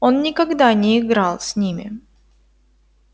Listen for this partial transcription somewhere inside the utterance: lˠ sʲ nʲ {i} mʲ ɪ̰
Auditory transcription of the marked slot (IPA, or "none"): i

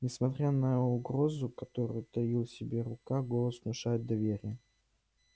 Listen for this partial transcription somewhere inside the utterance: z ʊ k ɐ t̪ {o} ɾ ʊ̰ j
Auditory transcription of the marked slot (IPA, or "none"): o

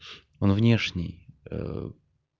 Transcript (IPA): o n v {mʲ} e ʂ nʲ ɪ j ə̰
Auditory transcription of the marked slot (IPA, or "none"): nʲ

